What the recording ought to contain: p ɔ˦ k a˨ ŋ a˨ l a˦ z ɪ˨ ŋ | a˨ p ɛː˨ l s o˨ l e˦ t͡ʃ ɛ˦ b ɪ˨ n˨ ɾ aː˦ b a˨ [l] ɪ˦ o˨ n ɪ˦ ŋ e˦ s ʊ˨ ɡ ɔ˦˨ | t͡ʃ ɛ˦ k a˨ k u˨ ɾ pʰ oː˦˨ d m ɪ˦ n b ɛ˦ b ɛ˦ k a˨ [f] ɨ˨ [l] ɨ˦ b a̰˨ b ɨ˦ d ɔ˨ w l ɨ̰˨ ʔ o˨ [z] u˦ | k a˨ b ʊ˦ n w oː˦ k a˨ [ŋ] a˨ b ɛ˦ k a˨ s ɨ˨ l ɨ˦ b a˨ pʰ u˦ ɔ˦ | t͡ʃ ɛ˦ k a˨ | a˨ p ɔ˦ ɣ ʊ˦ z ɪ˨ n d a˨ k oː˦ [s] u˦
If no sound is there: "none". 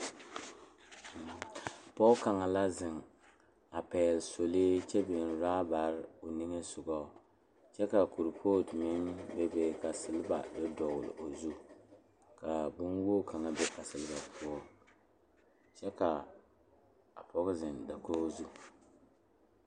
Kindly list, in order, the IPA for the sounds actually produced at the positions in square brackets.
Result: ɾ, s, l, z, ŋ, z

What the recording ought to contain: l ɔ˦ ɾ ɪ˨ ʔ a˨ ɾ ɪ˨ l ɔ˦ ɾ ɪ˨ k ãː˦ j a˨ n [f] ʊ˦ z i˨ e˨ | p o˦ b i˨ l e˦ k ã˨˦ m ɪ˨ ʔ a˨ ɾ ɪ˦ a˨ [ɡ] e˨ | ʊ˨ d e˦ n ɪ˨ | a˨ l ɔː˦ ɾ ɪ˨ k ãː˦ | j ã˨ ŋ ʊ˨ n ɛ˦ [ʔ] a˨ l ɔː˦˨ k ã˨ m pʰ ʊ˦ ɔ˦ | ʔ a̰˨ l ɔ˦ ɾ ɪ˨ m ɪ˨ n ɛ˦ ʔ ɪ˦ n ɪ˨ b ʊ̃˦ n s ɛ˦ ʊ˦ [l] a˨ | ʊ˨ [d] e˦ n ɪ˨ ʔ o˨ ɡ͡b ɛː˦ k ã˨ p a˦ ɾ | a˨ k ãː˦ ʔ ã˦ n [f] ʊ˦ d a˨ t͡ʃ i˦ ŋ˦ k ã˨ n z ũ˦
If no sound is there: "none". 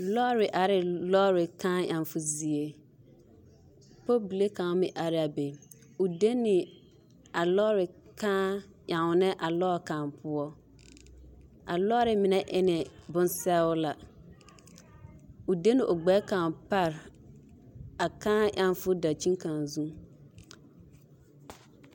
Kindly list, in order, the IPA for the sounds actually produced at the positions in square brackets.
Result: f, b, ʔ, l, d, f

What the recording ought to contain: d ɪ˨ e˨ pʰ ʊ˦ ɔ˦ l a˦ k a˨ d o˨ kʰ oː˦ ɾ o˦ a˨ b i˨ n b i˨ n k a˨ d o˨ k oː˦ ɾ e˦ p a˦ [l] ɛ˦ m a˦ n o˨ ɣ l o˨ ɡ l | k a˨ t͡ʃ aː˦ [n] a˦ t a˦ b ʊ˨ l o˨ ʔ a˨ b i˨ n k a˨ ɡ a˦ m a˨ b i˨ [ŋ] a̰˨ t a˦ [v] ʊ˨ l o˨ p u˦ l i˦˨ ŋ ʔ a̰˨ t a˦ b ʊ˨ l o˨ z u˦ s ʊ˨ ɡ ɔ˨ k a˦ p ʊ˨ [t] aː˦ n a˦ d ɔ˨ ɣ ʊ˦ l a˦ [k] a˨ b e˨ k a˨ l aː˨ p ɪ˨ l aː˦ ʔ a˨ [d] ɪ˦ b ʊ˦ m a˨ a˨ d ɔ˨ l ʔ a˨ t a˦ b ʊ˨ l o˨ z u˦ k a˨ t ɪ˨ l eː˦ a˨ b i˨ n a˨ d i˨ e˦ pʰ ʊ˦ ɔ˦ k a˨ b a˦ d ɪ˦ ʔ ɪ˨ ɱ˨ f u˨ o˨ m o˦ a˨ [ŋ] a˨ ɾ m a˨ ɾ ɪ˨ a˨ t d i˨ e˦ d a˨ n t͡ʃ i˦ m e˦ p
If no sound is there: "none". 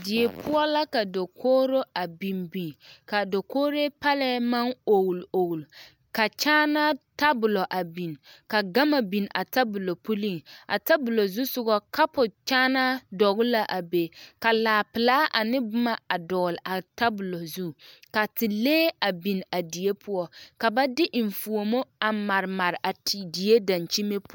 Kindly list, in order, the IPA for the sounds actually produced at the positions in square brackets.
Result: l, n, n, b, t͡ʃ, ʔ, n, m

